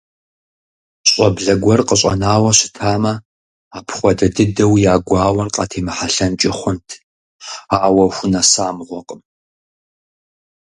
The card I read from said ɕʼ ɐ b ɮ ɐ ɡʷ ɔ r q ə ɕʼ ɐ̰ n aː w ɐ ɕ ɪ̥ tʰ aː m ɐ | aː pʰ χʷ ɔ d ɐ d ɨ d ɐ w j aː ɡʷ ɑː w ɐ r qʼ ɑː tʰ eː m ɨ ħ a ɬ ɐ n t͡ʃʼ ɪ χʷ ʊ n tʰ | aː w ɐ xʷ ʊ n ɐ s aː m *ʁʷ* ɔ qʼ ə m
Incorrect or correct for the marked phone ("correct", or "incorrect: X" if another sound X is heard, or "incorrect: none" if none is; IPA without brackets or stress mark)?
correct